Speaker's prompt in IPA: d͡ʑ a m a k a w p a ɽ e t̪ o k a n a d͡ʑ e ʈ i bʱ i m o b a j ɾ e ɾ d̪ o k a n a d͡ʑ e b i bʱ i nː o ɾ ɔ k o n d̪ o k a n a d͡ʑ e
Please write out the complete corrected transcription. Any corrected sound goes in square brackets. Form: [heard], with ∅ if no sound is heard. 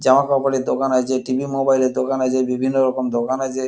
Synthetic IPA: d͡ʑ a m a k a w p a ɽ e [d̪] o k a n a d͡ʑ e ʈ i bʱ i m o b a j [l] e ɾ d̪ o k a n a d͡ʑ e b i bʱ i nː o ɾ ɔ k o [m] d̪ o k a n a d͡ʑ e

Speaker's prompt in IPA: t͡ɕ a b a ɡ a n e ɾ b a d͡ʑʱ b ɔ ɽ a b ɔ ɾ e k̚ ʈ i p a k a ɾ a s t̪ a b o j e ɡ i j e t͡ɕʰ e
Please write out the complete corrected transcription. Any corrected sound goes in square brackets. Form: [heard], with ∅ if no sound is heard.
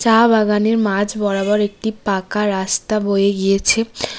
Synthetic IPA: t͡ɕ a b a ɡ a n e ɾ [m] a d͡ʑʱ b ɔ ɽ a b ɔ ɾ e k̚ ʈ i p a k a ɾ a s t̪ a b o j e ɡ i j e t͡ɕʰ e

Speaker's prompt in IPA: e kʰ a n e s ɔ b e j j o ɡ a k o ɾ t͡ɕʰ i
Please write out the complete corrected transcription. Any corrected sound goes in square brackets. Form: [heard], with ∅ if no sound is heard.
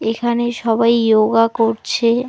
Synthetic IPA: e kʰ a n e [ʃ] ɔ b [a] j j o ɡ a k o ɾ t͡ɕʰ [e]

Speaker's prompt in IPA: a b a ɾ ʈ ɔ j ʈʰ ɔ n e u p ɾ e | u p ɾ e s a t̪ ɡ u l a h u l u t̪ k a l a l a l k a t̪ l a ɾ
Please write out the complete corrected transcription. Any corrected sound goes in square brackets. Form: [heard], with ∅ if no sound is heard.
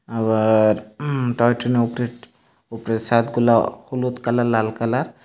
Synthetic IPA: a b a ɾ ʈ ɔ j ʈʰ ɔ n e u p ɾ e | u p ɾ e s a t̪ ɡ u l a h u l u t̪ k a l a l a l k a [∅] l a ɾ

